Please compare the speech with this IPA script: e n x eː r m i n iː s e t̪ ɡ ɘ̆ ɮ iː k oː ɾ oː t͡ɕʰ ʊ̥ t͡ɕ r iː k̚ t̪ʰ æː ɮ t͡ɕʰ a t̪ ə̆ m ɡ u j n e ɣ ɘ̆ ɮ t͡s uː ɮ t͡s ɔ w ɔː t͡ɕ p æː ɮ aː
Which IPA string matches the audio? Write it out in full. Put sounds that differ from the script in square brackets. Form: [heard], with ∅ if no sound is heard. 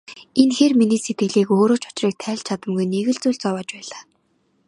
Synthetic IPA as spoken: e n x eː r m i n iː s e t̪ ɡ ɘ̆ ɮ iː k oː ɾ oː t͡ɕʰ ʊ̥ t͡ɕ r iː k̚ t̪ʰ æː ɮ t͡ɕʰ a t̪ ə̆ m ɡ u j n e ɣ ɘ̆ ɮ t͡s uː ɮ t͡s ɔ w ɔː t͡ɕ p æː ɮ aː